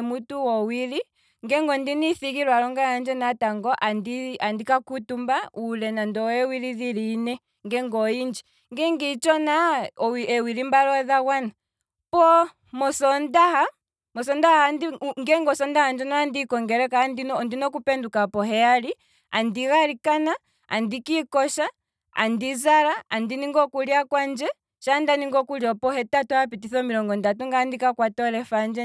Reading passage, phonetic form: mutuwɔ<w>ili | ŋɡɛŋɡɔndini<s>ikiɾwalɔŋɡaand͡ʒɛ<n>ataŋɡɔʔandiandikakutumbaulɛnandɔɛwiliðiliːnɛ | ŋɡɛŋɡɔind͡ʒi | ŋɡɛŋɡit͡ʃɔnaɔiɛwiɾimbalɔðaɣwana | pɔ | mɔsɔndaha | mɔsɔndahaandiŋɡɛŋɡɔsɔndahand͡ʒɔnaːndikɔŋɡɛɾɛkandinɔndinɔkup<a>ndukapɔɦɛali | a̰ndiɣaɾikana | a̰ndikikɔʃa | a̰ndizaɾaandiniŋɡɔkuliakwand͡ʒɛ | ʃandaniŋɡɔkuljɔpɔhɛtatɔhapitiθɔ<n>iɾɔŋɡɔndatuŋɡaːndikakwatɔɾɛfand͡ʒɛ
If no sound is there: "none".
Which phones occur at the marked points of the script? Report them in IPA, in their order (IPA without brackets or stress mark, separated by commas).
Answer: w, θ, n, ɛ, m